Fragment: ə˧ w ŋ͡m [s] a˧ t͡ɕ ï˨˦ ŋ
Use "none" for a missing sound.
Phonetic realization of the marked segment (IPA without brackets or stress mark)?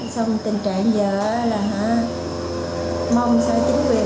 s